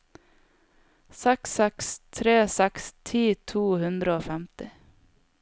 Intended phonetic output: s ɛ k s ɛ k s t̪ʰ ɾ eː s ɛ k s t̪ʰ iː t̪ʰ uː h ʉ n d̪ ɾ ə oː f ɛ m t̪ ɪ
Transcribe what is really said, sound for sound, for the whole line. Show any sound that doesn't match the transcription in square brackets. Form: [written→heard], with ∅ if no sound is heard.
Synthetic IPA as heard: s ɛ k s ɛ k s t̪ʰ ɾ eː s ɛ k s t̪ʰ iː t̪ʰ uː h ʉ n d̪ ɾ ə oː f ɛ m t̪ ɪ